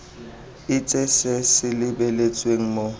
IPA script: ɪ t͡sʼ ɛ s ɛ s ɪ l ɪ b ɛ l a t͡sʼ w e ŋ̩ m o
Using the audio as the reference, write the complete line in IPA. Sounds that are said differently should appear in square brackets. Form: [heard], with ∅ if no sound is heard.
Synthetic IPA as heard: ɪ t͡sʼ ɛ s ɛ s ɪ l ɪ b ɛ l [e] t͡sʼ w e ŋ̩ m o